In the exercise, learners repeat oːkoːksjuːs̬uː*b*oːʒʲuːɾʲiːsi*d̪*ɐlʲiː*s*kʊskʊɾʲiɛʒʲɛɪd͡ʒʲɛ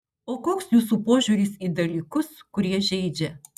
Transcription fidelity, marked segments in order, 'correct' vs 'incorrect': incorrect, correct, incorrect

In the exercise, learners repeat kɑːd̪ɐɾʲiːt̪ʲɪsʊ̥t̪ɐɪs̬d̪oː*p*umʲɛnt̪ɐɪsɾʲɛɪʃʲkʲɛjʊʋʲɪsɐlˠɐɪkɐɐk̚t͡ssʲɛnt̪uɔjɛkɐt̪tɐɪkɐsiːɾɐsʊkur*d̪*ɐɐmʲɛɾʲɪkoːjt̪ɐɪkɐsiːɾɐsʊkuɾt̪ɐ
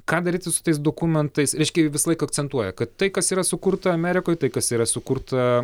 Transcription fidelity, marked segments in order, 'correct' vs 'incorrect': incorrect, incorrect

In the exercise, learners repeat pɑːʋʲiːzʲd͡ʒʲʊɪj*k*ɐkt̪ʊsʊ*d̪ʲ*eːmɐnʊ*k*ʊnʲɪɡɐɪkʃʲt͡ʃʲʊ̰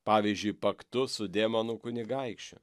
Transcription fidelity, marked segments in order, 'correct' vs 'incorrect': incorrect, correct, correct

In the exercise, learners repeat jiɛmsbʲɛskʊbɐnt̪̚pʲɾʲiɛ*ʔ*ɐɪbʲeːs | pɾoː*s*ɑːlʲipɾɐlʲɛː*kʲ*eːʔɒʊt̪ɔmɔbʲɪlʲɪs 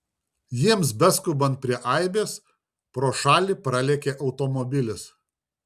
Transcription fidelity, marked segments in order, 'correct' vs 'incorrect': correct, incorrect, correct

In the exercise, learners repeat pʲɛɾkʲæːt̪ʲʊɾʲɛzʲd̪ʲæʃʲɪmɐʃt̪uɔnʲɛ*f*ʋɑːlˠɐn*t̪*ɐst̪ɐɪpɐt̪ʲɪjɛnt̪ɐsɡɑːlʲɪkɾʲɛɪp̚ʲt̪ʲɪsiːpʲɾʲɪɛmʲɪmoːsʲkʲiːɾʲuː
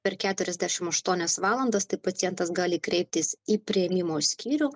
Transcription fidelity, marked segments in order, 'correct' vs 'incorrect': incorrect, incorrect

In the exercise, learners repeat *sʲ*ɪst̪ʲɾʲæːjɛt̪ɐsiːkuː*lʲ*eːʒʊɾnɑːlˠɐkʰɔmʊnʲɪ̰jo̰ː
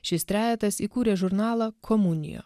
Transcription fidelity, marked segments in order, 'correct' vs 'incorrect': incorrect, incorrect

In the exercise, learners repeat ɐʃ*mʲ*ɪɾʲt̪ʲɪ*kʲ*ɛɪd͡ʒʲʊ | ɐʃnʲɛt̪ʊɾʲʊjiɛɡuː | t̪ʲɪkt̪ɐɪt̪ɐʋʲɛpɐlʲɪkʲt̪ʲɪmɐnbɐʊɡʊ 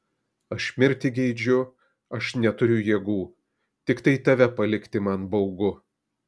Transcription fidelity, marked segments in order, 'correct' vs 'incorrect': correct, incorrect

